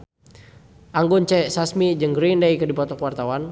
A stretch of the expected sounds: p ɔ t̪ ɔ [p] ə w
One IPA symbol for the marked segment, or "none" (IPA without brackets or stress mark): k